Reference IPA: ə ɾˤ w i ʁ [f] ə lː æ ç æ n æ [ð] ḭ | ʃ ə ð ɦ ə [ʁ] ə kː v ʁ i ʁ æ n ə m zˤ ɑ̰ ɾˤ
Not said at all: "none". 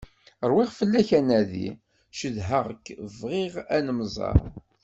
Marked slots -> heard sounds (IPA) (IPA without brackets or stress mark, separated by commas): f, ð, ʁ